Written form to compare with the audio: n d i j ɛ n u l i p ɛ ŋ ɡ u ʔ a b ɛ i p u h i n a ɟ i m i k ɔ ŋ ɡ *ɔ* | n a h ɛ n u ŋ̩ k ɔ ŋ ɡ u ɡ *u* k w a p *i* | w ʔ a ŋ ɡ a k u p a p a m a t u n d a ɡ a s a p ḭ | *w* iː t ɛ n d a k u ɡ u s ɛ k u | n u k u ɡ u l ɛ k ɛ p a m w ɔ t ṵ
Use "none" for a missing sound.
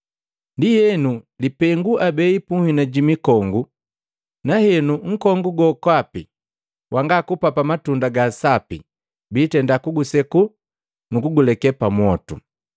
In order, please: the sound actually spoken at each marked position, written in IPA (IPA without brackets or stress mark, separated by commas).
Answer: u, ɔ, i, b